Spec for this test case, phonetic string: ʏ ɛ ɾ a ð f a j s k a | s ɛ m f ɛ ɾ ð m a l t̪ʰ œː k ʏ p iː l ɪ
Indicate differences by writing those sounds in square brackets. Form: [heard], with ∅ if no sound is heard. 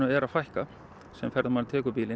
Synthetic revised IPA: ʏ ɛ ɾ a ð f a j [h] k a | s ɛ m f ɛ ɾ ð m a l t̪ʰ [ɛː] k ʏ p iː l ɪ